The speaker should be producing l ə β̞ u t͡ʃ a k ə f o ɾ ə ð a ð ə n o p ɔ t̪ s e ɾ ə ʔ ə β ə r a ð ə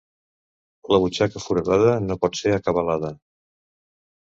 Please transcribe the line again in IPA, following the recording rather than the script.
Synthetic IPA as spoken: l ə β̞ u t͡ʃ a k ə f u ɾ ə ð a ð ə n o p ɔ t̪ s e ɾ ə k ə β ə l a ð ə